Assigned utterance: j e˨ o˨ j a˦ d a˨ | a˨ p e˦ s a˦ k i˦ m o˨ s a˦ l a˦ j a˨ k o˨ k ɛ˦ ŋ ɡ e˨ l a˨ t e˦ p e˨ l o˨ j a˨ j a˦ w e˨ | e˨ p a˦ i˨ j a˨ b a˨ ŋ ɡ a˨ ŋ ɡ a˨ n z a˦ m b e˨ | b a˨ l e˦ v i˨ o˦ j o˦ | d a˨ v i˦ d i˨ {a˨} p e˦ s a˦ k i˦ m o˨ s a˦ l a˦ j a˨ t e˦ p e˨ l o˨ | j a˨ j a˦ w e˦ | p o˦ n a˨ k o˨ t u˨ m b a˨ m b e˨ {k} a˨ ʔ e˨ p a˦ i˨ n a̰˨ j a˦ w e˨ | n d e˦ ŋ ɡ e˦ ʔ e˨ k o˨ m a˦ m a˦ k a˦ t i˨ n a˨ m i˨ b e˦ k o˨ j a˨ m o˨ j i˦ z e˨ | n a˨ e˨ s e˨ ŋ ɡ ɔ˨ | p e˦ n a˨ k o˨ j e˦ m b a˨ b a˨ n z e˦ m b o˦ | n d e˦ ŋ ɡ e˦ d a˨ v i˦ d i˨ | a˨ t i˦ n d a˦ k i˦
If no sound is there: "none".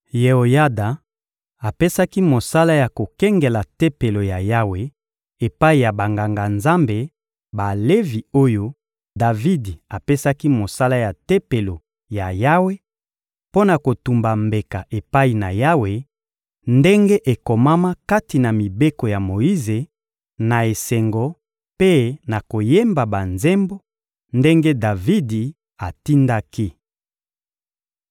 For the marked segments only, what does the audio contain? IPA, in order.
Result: a˨, k

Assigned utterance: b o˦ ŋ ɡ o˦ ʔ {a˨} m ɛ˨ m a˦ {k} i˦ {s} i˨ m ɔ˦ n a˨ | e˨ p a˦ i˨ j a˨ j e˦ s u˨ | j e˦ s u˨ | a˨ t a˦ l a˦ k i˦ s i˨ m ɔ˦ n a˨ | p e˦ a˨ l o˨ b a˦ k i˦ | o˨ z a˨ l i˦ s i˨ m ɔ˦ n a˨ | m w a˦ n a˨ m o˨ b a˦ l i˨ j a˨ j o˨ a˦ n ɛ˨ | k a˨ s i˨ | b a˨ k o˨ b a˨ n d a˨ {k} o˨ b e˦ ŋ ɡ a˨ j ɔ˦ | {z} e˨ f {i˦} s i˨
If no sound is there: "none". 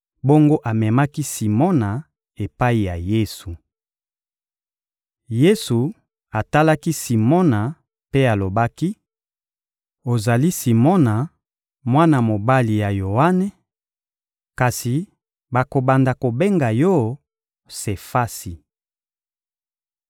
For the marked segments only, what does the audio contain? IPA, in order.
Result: a˨, k, s, k, s, a˦

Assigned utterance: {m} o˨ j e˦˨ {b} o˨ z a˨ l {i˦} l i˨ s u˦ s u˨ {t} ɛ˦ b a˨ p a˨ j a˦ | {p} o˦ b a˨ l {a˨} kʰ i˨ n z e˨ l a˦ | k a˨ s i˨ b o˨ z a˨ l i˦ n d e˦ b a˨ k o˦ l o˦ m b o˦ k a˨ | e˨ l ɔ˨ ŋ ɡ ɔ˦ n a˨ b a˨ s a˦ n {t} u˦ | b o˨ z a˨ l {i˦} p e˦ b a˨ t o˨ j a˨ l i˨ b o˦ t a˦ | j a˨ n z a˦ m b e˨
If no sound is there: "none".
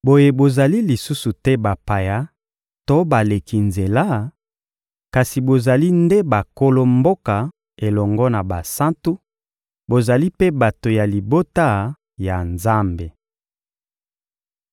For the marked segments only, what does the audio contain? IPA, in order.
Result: b, b, i˦, t, t, e˨, t, i˦

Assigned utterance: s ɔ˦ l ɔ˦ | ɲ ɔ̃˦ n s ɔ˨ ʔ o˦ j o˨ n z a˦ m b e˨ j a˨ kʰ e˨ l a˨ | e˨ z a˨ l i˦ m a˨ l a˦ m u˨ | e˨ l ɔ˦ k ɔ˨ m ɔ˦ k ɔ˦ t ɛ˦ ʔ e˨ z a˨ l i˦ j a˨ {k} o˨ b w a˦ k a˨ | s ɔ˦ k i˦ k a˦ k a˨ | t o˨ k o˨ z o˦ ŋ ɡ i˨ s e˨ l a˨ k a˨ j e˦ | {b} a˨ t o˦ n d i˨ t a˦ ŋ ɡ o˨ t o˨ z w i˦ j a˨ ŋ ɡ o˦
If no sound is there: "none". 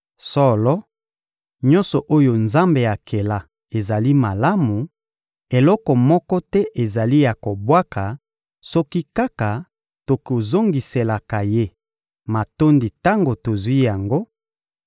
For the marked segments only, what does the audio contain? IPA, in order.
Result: k, m

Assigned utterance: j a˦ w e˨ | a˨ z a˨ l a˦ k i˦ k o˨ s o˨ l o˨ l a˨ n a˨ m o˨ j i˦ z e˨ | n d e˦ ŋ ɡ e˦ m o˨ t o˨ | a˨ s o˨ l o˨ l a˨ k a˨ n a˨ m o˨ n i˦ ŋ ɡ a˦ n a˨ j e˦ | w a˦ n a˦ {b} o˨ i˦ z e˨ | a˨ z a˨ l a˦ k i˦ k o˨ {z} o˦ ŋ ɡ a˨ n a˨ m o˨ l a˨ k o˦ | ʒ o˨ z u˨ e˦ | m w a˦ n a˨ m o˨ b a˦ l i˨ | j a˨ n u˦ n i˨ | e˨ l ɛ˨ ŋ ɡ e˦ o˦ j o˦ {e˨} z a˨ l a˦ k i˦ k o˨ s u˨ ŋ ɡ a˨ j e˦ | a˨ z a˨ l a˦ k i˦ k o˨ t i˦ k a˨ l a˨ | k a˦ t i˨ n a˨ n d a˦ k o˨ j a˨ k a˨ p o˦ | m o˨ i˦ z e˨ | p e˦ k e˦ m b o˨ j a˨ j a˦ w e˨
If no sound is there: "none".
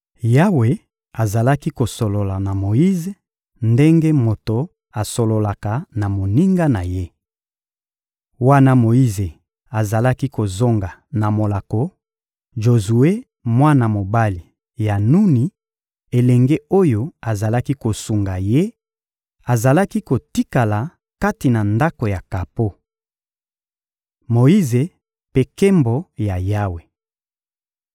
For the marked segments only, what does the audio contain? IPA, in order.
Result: m, z, a˨

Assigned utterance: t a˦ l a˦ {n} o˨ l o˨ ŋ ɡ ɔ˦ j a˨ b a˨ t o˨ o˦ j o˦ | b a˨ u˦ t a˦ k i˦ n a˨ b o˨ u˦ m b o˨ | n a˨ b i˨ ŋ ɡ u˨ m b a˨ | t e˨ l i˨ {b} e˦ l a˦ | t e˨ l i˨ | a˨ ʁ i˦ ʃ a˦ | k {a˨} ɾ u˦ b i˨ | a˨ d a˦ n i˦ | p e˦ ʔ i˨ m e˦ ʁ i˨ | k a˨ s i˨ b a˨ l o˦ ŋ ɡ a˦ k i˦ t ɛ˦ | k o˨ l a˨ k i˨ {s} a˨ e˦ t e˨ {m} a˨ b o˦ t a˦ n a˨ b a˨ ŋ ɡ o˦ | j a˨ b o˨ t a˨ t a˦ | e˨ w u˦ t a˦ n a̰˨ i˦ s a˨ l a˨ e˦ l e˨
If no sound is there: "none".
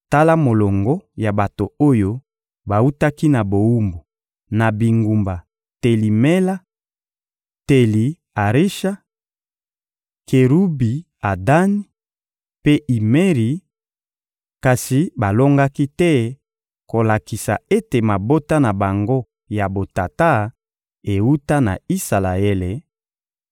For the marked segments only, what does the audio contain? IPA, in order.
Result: m, m, e˨, s, m

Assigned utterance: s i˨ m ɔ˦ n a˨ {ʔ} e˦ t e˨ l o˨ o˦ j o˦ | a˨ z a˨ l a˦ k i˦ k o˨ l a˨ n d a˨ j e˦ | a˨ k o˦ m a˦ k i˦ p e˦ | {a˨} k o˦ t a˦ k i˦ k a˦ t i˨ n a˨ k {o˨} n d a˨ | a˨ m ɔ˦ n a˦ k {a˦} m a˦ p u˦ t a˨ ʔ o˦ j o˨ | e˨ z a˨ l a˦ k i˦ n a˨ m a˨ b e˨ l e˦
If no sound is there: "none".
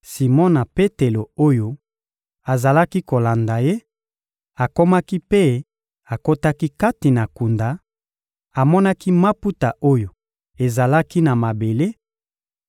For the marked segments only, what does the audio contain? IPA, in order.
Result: p, a˨, u˨, i˦

